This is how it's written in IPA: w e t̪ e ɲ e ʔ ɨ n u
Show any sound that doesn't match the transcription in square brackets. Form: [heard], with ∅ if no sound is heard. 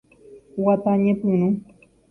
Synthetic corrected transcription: w [a] t̪ [a] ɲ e [p] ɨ n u